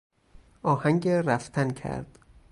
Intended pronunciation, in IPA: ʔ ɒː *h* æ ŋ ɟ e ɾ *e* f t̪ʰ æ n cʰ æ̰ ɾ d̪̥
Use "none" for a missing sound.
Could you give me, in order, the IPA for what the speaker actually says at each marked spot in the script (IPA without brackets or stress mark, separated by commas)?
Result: h, æ